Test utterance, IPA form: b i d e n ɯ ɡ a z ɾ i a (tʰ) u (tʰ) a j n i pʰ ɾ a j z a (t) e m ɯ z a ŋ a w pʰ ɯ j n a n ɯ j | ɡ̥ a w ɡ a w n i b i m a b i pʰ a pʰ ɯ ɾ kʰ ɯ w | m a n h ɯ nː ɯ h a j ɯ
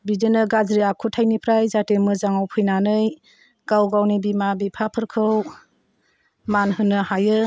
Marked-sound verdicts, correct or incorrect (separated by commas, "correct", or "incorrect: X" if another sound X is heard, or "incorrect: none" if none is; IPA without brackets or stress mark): incorrect: kʰ, correct, correct